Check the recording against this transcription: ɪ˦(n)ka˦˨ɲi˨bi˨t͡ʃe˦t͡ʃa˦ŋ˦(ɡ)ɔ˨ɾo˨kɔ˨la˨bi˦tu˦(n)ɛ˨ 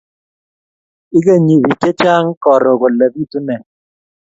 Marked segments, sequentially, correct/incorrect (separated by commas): incorrect, incorrect, correct